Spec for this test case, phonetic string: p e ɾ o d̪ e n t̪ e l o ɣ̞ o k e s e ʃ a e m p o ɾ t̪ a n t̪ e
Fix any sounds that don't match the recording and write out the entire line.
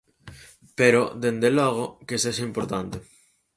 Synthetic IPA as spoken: p e ɾ o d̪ e n d̪ e l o ɣ̞ o k e s e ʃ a i m p o ɾ t̪ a n t̪ e